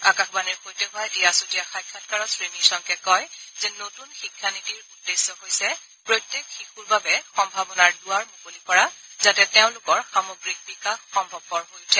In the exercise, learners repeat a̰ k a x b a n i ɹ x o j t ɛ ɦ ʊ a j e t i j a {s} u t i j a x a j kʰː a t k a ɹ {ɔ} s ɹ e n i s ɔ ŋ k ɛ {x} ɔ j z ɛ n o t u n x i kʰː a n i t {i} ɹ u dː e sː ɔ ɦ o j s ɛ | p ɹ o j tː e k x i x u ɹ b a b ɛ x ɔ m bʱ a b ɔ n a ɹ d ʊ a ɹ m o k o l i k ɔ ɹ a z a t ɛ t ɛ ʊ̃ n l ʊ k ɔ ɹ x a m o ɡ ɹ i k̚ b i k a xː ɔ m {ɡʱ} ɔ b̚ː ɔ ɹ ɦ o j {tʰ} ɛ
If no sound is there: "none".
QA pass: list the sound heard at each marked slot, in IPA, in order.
s, ɔ, k, i, bʱ, tʰ

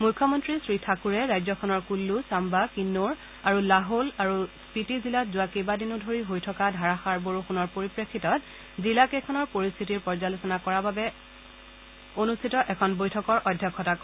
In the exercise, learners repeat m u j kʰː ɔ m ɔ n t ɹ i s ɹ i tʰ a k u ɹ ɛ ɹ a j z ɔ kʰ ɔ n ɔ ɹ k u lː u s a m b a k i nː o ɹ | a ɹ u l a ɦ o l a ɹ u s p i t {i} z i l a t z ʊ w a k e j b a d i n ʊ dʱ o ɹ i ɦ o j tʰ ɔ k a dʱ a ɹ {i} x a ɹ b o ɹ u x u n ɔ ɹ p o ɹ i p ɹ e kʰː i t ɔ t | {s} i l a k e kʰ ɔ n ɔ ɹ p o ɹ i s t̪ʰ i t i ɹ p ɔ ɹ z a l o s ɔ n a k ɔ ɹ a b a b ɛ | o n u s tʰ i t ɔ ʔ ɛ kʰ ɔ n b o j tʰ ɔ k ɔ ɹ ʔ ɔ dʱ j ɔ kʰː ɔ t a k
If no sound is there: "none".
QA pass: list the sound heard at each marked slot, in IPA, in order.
i, a, z

